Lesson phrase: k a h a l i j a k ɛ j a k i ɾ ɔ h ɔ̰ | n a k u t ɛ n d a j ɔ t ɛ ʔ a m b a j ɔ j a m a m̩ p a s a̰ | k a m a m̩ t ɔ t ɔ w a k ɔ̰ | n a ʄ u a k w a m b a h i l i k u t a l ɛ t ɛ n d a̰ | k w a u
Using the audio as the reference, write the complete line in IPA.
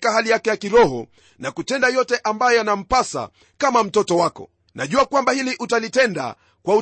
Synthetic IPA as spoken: k a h a l i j a k ɛ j a k i ɾ ɔ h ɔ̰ | n a k u t ɛ n d a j ɔ t ɛ ʔ a m b a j ɔ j a n a m̩ p a s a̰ | k a m a m̩ t ɔ t ɔ w a k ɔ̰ | n a ʄ u a k w a m b a h i l i ʔ u t a l i t ɛ n d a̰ | k w a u